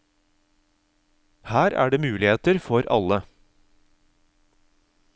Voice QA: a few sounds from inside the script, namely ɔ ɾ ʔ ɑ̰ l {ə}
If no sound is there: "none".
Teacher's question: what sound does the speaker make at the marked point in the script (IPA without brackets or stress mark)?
ə